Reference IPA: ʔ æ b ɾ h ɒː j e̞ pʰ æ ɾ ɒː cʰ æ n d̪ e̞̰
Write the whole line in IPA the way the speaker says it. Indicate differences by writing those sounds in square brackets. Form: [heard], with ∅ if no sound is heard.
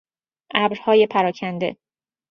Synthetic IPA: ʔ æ b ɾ h ɒː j e̞ pʰ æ ɾ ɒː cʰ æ n d̪ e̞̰